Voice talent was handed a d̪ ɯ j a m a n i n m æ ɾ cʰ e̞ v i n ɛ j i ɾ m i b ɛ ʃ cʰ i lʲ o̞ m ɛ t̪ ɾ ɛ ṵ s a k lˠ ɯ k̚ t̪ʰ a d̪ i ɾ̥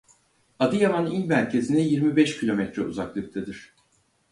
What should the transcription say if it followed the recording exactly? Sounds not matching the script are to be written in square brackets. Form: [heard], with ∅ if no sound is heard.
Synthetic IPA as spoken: a d̪ ɯ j a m a n i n m æ ɾ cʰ e̞ [z] i n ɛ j i ɾ m i b ɛ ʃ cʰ i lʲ o̞ m ɛ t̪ ɾ ɛ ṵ [z] a k lˠ ɯ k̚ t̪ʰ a d̪ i ɾ̥